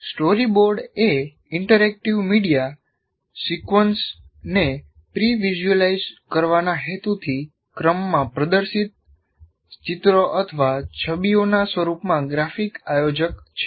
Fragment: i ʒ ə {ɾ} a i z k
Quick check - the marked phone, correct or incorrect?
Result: incorrect